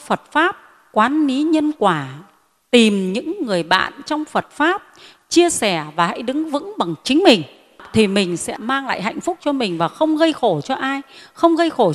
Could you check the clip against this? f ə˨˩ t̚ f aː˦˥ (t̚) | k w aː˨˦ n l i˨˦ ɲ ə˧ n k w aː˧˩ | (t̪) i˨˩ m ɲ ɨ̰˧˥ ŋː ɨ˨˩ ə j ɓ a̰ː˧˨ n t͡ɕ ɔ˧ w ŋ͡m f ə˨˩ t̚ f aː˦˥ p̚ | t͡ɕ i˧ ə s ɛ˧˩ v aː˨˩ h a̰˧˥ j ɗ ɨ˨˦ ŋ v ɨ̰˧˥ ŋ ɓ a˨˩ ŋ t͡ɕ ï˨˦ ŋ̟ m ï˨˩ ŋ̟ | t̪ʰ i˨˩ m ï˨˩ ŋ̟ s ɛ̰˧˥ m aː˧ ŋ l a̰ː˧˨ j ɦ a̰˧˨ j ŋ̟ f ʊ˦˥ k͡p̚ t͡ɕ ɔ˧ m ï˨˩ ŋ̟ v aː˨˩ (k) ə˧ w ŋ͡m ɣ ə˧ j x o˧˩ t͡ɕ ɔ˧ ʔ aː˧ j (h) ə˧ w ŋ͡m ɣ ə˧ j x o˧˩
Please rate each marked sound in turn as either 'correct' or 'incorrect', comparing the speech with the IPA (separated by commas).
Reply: incorrect, correct, incorrect, incorrect